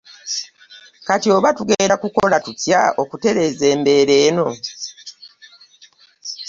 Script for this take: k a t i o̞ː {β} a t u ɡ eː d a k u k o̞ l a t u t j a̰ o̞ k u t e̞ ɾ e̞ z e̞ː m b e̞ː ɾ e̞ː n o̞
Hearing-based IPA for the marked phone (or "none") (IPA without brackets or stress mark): β